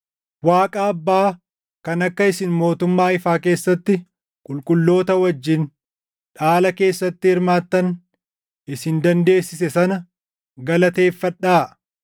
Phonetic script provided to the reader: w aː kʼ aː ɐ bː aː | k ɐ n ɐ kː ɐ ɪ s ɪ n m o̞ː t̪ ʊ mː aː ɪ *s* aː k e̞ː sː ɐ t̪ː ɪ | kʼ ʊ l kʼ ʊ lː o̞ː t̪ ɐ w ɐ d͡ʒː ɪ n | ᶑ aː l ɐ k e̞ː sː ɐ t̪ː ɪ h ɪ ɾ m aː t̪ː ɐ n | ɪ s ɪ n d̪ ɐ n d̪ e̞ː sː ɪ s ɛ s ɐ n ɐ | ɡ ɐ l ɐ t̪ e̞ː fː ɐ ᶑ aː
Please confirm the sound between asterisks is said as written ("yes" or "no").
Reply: no